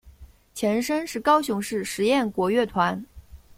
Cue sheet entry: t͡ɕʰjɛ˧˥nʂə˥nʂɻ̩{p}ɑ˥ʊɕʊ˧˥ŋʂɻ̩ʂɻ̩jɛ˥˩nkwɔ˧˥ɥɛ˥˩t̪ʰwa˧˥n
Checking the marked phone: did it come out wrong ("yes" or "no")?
yes